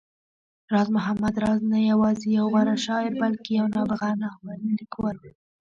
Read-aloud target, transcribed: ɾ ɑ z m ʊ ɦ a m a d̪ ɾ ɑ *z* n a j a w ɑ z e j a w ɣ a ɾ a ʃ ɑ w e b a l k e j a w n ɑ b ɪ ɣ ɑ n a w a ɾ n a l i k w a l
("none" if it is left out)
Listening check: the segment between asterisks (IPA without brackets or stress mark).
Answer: z